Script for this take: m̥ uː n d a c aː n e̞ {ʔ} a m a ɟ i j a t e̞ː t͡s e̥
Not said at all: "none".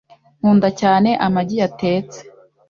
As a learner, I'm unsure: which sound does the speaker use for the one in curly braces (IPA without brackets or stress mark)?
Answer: ʔ